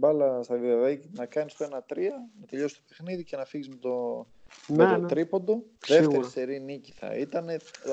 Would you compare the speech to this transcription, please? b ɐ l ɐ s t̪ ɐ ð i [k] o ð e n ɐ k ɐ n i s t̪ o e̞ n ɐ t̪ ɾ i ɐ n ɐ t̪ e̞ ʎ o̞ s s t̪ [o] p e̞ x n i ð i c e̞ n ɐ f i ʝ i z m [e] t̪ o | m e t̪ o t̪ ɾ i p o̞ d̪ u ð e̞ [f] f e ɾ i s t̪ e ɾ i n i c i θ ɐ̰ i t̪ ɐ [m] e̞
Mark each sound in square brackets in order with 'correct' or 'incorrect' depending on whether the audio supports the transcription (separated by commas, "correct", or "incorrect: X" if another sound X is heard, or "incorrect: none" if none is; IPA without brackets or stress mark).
incorrect: none, correct, correct, correct, incorrect: n